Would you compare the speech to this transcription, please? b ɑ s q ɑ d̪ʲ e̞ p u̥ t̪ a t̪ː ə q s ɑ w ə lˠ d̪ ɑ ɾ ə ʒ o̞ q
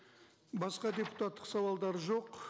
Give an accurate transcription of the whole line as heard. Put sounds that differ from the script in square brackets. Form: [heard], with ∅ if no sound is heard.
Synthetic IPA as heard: b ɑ s q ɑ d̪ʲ e̞ p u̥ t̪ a t̪ː ə q s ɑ w [ɑ] lˠ d̪ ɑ ɾ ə ʒ o̞ q